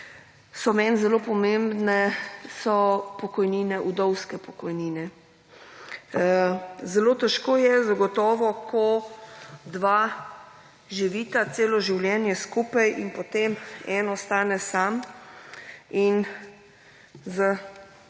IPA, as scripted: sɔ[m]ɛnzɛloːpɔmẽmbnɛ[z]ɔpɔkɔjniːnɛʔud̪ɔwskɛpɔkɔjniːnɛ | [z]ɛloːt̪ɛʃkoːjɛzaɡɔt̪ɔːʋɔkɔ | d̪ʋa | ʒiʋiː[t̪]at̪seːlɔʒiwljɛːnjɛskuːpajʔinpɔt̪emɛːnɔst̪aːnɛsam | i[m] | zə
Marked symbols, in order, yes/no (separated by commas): yes, no, yes, yes, no